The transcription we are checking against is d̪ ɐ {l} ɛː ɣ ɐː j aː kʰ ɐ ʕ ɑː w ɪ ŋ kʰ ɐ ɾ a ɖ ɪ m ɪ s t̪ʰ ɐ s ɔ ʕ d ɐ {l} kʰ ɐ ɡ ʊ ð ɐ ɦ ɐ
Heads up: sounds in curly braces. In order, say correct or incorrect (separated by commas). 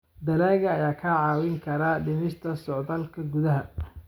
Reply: correct, correct